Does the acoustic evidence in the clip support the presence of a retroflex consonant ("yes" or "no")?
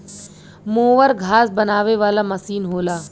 no